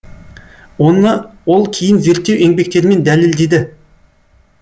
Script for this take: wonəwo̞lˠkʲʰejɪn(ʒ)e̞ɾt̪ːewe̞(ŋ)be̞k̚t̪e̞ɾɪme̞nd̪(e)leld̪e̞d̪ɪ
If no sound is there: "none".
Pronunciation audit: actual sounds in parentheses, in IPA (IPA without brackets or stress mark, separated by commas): z, ŋ, æ